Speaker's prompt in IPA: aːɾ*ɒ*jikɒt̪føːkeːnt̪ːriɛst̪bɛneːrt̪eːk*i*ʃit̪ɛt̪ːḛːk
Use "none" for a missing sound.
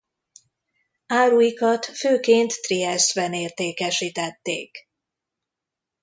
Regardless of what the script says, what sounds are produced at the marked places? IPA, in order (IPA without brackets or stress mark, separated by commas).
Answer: u, ɛ